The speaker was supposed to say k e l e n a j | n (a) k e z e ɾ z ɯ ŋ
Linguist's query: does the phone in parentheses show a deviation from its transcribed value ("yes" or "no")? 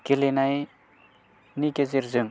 yes